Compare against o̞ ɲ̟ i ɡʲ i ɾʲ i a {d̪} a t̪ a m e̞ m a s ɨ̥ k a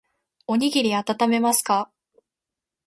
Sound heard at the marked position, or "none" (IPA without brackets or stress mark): t̪